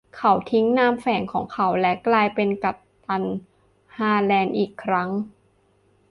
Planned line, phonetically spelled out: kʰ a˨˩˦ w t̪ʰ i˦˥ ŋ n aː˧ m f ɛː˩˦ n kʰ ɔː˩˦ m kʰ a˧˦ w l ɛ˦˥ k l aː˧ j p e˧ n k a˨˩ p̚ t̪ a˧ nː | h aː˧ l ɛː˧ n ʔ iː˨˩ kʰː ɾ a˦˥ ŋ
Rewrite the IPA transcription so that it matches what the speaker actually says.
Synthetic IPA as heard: kʰ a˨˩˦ w t̪ʰ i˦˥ ŋ n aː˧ m f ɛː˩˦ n kʰ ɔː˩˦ ŋ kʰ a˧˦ w l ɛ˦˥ k l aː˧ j p e˧ n k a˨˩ p̚ t̪ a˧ n | h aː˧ l ɛː˧ n ʔ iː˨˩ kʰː ɾ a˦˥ ŋ